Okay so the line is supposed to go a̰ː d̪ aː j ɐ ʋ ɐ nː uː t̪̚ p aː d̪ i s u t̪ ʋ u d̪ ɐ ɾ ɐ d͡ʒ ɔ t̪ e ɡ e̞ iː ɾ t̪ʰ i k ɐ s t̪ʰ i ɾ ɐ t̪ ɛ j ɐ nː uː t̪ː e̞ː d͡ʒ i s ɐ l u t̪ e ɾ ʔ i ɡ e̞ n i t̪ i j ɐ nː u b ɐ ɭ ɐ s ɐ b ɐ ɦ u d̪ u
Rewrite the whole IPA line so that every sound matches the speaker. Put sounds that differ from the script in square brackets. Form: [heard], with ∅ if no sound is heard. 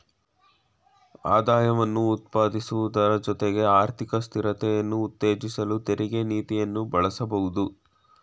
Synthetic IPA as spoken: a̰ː d̪ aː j ɐ ʋ ɐ nː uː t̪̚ p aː d̪ i s u [∅] ʋ u d̪ ɐ ɾ ɐ d͡ʒ ɔ t̪ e ɡ e̞ [aː] ɾ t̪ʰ i k ɐ s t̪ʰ i ɾ ɐ t̪ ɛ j ɐ nː uː t̪ː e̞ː d͡ʒ i s ɐ l u t̪ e ɾ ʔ i ɡ e̞ n [iː] t̪ i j ɐ nː u b ɐ ɭ ɐ s ɐ b ɐ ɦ u d̪ u